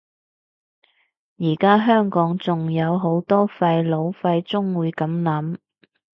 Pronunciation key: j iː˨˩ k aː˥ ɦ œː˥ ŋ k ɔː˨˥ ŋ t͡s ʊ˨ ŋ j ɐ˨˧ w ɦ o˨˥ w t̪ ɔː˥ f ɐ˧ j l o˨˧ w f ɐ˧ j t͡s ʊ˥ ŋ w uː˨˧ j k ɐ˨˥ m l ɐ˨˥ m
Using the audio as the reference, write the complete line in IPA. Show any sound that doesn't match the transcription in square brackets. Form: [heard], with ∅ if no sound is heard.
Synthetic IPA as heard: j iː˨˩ k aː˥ ɦ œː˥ ŋ k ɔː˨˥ ŋ t͡s ʊ˨ ŋ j ɐ˨˧ w ɦ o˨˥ w t̪ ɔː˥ f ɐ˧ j l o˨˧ w f ɐ˧ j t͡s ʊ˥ ŋ w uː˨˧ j k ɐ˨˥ m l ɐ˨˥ m